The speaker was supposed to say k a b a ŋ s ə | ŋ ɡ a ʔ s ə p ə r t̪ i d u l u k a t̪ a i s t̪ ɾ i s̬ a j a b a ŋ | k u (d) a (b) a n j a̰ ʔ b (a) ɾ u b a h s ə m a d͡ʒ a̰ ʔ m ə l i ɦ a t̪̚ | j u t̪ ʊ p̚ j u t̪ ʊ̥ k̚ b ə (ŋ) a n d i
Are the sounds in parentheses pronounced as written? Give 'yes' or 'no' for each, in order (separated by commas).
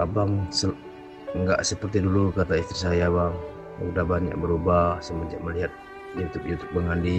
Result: yes, yes, no, yes